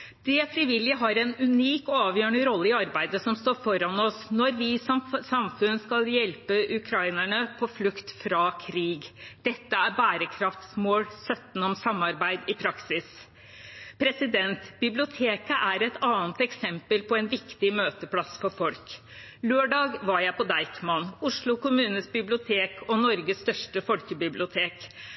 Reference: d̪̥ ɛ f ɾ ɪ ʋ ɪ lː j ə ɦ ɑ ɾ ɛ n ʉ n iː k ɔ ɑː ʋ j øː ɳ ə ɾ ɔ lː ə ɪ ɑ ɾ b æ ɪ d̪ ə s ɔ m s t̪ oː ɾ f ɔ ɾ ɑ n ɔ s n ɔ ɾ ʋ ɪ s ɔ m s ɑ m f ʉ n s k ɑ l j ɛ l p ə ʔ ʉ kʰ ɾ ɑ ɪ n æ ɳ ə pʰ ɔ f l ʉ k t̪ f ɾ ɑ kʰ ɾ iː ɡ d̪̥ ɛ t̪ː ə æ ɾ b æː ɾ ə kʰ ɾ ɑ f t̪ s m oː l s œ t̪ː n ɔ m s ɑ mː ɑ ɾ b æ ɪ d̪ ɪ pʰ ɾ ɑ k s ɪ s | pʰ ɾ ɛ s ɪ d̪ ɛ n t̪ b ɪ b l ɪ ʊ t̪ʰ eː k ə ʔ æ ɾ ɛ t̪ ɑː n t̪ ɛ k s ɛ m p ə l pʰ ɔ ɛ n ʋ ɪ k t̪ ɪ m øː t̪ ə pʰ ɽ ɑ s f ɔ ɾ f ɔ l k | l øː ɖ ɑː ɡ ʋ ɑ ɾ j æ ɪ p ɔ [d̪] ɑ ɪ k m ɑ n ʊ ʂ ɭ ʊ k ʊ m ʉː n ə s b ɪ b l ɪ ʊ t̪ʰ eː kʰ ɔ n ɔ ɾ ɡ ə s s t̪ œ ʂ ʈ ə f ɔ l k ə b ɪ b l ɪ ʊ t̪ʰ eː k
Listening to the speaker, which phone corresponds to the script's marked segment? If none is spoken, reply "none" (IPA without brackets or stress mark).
d̪